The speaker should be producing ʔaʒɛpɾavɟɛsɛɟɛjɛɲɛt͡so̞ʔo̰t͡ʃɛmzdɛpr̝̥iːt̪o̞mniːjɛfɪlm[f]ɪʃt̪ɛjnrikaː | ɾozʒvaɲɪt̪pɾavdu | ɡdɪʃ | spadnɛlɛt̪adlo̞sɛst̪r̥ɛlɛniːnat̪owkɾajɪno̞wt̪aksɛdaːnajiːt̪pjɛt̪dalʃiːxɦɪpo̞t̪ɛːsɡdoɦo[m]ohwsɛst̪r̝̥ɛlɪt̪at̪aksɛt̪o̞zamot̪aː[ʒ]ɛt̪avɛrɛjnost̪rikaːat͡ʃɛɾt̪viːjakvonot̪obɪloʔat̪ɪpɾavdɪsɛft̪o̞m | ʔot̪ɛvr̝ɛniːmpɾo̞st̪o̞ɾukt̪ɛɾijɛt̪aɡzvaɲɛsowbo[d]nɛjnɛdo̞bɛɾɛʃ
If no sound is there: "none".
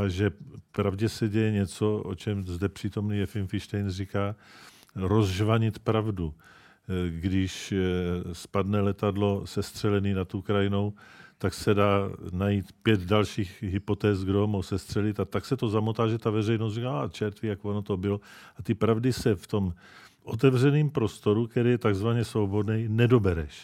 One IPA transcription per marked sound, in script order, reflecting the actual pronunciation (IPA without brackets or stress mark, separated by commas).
f, m, ʒ, d